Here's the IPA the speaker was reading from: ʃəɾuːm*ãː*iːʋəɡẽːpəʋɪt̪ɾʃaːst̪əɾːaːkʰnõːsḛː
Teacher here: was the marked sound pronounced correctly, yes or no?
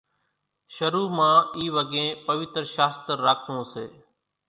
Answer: yes